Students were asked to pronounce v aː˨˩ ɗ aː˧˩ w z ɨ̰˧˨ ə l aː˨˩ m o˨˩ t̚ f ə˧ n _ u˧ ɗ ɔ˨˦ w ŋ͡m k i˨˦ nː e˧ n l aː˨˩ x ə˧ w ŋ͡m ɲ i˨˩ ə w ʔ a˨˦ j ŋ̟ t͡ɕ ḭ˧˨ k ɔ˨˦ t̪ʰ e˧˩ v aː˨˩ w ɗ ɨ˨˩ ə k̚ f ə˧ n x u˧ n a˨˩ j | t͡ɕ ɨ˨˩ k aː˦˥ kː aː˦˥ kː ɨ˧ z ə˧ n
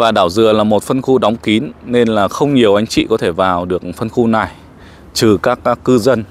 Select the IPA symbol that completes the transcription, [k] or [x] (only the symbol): x